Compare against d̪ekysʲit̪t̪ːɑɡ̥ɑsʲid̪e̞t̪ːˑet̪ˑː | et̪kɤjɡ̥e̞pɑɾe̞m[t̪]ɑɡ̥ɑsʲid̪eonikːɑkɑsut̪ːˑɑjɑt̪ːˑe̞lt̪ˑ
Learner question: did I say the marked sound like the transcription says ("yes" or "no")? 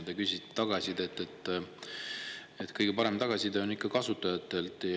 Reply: yes